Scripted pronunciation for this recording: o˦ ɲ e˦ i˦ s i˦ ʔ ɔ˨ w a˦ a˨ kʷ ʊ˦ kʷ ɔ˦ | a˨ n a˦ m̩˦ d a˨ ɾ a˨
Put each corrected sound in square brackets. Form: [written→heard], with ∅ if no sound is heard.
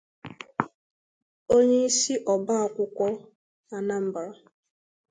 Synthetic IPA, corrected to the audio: o˦ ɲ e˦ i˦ s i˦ ʔ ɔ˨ [w→b] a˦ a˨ kʷ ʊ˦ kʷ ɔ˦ | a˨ n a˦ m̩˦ [d→b] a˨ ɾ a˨